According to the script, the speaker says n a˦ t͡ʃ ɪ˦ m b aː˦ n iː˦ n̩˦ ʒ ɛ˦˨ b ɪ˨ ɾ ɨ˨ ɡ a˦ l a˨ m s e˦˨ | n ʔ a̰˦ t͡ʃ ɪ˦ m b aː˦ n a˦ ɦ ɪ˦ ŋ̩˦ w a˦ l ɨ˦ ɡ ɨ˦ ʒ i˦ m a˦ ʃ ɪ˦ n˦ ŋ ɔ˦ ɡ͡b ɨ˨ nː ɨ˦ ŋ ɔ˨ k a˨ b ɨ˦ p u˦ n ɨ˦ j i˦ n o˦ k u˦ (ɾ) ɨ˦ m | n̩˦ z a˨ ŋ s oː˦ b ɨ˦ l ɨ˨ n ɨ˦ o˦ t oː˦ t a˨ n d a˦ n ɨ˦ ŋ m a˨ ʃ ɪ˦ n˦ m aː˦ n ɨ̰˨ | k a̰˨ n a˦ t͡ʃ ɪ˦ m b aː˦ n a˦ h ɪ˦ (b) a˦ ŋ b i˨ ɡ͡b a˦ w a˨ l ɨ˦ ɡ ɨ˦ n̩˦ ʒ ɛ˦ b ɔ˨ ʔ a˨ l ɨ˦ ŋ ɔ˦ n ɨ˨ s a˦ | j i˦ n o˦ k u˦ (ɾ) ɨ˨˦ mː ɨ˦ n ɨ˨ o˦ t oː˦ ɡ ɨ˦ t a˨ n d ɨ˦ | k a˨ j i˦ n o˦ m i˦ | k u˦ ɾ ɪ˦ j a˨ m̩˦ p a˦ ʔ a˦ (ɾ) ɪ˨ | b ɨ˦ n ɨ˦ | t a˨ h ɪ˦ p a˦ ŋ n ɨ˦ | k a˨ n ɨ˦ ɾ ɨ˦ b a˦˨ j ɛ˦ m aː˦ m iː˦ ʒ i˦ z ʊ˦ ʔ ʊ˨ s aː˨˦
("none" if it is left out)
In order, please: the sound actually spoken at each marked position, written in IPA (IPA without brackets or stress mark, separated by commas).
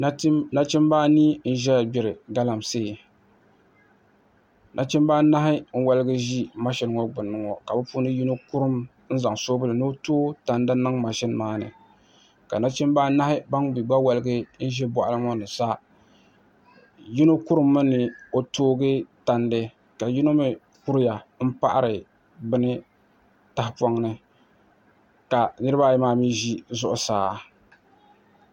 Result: ɾ, b, ɾ, ɾ